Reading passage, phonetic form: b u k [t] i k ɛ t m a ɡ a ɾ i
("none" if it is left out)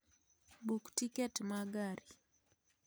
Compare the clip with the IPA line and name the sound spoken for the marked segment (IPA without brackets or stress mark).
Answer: t